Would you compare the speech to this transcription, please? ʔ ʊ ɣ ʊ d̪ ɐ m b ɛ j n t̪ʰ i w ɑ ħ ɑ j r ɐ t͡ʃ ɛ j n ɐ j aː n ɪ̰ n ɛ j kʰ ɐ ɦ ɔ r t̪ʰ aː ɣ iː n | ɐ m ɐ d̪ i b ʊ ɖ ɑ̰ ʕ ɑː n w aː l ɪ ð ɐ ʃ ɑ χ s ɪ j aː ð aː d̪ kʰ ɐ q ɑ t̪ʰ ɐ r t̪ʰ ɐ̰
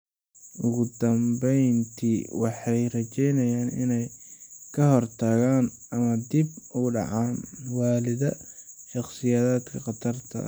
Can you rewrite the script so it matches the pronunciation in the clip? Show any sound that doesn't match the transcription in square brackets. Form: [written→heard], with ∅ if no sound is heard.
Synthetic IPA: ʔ ʊ ɣ ʊ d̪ ɐ m b ɛ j n t̪ʰ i w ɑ ħ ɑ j r ɐ t͡ʃ ɛ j n ɐ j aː n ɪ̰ n ɛ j kʰ ɐ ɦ ɔ r t̪ʰ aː ɣ [iː→aː] n | ɐ m ɐ d̪ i b ʊ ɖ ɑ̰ ʕ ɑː n w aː l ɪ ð ɐ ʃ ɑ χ s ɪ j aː ð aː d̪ kʰ ɐ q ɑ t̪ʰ ɐ r t̪ʰ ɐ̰